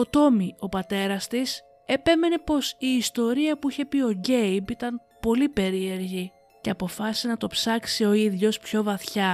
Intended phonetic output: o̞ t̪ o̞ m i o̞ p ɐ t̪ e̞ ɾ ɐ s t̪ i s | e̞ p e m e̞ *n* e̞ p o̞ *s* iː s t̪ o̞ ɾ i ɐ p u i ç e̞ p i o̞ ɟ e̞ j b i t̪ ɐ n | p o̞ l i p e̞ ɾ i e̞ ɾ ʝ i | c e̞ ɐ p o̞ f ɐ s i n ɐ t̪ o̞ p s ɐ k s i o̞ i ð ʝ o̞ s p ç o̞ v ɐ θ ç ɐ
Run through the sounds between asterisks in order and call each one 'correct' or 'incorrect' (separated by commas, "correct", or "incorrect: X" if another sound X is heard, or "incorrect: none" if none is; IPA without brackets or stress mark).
correct, correct